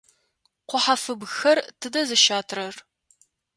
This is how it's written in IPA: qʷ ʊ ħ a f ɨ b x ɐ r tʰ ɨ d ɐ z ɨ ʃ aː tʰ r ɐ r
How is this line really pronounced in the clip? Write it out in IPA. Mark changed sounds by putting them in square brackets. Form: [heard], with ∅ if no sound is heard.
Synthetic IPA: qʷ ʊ ħ a f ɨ b x ɐ r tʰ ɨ d ɐ z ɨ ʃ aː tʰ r ɐ r